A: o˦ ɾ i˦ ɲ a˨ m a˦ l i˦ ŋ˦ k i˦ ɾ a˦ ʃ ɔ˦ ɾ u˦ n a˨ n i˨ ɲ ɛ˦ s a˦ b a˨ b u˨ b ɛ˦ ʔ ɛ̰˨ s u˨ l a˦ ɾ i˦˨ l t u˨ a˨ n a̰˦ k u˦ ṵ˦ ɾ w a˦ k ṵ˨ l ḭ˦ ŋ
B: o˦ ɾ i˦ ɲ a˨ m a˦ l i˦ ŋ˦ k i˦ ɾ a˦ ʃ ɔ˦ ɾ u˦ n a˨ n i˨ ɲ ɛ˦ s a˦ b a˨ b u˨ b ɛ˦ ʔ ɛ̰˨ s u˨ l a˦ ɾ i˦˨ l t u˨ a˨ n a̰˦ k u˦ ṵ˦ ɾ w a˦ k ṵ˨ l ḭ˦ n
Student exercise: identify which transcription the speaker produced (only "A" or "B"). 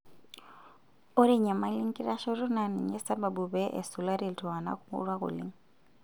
A